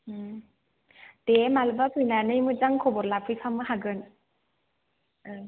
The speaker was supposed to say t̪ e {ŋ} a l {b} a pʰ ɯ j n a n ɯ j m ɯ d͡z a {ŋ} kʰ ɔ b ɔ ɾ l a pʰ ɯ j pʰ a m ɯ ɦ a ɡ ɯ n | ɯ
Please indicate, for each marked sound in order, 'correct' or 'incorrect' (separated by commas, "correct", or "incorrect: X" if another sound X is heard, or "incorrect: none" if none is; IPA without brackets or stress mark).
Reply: incorrect: m, correct, correct